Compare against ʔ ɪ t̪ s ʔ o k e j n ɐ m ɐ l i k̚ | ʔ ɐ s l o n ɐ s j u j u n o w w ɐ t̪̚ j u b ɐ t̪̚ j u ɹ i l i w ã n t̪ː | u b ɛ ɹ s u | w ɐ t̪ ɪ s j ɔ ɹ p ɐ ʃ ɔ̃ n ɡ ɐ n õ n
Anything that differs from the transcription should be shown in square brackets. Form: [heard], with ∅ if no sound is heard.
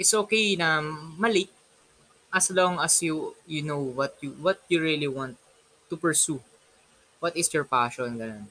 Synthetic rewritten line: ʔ ɪ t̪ s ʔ o k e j n ɐ m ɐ l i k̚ | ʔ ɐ s l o [ŋ] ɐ s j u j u n o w w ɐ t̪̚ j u [w] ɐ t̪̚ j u ɹ i l i w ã n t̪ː | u [p] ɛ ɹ s u | w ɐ t̪ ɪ s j ɔ ɹ p [a] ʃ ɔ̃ n ɡ ɐ n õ n